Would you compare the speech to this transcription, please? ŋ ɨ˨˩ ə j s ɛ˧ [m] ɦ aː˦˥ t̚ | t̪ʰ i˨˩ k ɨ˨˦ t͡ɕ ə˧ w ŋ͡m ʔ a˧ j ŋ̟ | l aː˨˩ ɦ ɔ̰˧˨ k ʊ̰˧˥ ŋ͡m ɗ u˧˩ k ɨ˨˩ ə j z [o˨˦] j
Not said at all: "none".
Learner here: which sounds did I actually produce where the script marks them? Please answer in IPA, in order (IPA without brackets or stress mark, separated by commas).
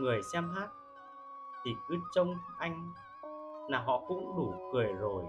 m, o˨˩